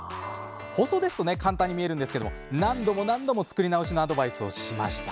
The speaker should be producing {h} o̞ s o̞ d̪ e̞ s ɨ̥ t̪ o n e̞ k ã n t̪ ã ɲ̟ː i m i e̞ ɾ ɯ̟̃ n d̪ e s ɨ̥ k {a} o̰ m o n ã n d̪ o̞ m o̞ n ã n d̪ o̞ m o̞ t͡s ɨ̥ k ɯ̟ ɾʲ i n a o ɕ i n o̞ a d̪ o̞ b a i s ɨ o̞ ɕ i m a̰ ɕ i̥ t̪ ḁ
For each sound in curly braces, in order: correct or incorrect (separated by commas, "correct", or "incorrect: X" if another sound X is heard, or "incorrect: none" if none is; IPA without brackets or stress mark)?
correct, incorrect: e